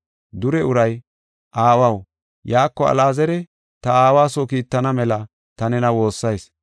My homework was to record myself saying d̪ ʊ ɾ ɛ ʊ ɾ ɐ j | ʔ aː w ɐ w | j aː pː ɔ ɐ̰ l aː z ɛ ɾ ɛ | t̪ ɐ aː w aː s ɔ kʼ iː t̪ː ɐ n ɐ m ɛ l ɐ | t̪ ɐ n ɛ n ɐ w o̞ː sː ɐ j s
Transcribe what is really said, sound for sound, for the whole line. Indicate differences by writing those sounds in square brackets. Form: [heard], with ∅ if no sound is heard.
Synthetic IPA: d̪ ʊ ɾ ɛ ʊ ɾ ɐ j | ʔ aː w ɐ w | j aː [kː] ɔ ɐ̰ l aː z ɛ ɾ ɛ | t̪ ɐ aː w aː s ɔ [k] iː t̪ː ɐ n ɐ m ɛ l ɐ | t̪ ɐ n ɛ n ɐ w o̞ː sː ɐ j s